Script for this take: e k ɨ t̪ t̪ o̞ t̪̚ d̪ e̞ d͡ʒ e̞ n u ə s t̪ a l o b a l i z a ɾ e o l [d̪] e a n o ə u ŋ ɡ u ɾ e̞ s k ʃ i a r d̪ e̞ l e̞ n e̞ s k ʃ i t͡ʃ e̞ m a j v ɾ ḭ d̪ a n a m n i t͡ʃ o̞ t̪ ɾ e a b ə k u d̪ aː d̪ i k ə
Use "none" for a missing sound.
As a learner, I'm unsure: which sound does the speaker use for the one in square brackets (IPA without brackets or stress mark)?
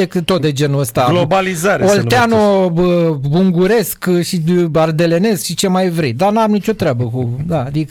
t̪